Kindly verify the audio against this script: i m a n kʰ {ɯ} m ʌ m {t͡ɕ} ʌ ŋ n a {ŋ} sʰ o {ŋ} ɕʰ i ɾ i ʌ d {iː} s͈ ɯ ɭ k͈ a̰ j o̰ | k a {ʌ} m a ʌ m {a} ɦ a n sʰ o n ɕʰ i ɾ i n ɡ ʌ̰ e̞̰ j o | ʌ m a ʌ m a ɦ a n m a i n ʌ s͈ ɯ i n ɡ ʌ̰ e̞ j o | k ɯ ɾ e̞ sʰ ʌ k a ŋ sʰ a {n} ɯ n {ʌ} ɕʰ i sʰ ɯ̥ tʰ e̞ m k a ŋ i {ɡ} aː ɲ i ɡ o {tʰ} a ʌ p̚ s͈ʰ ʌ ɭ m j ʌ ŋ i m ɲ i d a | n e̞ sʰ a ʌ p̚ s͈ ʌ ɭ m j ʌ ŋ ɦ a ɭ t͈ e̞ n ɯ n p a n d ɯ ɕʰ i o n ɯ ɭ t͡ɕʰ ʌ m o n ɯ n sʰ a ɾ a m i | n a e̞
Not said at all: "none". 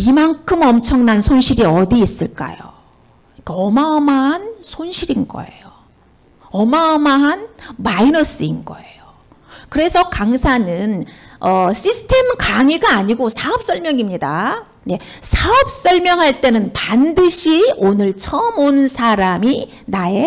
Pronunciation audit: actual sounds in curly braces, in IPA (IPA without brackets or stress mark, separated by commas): ɯ, t͡ɕʰ, n, n, iː, ʌ, a, n, ʌ, ɡ, sʰ